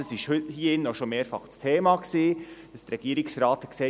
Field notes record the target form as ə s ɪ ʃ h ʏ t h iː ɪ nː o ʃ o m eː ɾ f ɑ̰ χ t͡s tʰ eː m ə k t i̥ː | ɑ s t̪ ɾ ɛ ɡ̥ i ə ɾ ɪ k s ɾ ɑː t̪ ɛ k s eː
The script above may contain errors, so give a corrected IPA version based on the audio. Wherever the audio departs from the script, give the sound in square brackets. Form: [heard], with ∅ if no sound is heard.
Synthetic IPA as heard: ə s ɪ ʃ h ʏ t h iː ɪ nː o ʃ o m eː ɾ f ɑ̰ χ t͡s tʰ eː m [ɑ] k [s] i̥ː | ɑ s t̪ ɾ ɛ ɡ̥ i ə ɾ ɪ k s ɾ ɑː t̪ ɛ k s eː